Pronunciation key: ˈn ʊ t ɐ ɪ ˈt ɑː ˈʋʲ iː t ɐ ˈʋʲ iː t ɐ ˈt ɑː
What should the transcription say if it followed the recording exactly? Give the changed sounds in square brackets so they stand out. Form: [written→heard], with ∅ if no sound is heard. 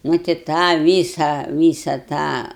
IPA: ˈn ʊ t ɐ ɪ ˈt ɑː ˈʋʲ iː [t→s] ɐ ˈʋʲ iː [t→s] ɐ ˈt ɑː